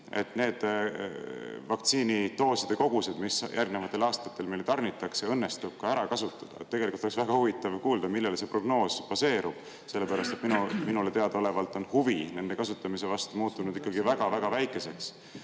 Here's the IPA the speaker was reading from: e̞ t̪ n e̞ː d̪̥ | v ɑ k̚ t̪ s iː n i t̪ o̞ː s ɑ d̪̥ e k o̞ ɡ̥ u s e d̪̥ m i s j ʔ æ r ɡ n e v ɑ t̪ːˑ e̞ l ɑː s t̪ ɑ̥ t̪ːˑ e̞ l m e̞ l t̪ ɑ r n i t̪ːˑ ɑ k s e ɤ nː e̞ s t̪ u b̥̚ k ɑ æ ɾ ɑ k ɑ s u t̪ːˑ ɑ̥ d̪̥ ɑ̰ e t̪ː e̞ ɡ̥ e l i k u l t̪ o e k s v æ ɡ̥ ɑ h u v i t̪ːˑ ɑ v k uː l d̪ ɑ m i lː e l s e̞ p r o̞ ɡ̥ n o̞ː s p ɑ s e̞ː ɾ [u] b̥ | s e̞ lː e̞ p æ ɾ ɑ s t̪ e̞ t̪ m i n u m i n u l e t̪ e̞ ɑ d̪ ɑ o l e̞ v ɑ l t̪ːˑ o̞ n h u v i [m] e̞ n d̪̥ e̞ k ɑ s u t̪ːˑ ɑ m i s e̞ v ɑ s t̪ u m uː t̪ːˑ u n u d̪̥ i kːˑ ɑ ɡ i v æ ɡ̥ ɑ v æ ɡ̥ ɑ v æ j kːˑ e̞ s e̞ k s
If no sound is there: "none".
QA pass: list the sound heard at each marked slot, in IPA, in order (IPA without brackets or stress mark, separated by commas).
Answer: u, n